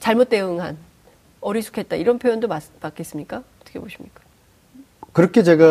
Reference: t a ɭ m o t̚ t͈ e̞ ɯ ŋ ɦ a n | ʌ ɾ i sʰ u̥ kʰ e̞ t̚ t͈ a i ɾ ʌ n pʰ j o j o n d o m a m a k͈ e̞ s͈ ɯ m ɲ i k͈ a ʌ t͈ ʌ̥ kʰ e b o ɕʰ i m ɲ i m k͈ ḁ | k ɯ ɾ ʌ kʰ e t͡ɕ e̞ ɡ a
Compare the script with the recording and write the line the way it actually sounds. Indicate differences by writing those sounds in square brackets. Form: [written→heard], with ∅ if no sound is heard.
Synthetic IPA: [t→t͡ɕ] a ɭ m o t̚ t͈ e̞ ɯ ŋ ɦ a n | ʌ ɾ i sʰ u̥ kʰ e̞ t̚ t͈ a i ɾ ʌ n pʰ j o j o n d o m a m a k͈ e̞ s͈ ɯ m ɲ i k͈ a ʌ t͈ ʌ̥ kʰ e b o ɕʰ i m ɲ i [m→∅] k͈ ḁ | k ɯ ɾ ʌ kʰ e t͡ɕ e̞ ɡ a